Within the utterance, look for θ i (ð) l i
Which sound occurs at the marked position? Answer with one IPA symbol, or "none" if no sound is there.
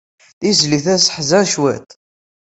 z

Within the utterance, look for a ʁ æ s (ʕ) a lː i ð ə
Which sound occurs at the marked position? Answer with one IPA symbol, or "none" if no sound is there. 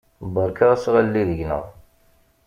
ʁ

